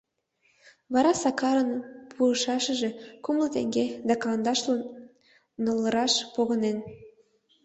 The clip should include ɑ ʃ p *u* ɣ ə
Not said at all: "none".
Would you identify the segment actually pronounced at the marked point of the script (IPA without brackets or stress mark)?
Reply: o